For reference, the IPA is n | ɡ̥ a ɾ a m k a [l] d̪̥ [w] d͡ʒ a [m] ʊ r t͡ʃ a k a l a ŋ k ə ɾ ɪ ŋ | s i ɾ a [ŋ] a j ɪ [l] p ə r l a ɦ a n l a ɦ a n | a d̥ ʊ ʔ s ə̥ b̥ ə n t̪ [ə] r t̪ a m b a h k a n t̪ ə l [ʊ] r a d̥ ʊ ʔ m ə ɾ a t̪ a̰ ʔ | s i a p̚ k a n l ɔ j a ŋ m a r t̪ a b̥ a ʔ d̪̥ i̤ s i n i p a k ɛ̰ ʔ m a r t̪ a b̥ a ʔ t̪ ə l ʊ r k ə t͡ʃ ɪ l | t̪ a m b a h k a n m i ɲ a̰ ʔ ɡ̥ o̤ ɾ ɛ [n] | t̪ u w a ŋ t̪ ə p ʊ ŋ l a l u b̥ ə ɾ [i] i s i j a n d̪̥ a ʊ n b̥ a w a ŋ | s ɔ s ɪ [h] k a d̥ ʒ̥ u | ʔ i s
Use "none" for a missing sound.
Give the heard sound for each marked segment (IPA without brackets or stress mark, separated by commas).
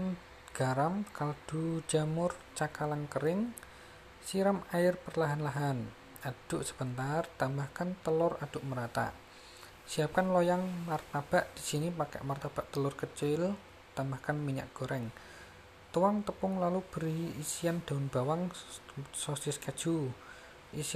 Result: l, u, m, m, r, a, ʊ, ŋ, i, s